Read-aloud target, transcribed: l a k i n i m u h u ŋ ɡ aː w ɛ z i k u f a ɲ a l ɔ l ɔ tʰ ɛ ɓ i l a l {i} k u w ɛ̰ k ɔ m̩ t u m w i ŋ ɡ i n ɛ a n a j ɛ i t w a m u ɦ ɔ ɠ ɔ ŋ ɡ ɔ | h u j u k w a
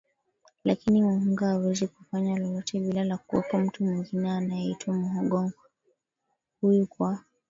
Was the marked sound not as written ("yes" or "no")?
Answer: yes